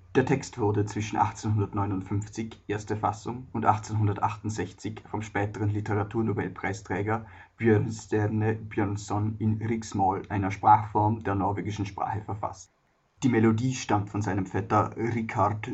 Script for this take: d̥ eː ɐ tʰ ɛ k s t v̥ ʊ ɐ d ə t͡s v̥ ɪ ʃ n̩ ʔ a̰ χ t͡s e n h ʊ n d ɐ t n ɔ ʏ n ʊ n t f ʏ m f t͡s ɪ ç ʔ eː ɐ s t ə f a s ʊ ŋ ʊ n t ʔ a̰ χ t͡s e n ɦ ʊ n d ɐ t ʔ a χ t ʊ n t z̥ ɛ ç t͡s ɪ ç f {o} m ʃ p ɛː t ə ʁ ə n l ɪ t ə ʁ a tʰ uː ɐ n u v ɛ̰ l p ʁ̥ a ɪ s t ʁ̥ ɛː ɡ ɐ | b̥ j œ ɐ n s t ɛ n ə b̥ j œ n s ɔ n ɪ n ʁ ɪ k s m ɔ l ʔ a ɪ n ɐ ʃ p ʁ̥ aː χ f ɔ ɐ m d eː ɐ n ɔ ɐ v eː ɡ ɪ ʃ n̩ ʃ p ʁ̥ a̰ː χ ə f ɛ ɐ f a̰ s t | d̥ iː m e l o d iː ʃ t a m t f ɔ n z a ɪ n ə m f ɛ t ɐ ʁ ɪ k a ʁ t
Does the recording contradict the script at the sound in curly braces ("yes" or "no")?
yes